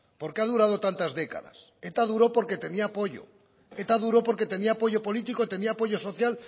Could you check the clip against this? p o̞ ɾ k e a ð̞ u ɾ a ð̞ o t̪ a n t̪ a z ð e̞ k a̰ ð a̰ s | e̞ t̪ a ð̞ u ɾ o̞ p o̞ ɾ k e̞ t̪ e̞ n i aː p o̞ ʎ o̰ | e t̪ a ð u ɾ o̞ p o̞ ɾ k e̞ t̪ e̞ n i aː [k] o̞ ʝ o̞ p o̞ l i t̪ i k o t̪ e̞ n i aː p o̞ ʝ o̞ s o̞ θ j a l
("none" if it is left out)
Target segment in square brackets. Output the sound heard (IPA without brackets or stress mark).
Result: p